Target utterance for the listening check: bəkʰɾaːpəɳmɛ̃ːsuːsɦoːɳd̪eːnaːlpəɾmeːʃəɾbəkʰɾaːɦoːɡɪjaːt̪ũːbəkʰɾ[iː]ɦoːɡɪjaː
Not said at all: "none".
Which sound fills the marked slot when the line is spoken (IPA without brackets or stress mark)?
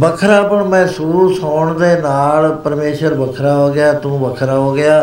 aː